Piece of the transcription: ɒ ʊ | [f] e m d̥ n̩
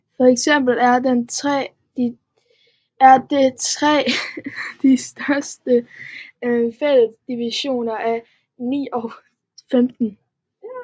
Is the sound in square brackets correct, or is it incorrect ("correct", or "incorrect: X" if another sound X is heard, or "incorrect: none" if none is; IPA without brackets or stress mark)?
correct